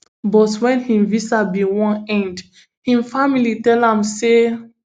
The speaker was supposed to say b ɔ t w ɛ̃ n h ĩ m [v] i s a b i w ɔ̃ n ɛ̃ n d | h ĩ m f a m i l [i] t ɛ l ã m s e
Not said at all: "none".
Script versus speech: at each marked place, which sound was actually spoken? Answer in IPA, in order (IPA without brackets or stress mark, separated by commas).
v, i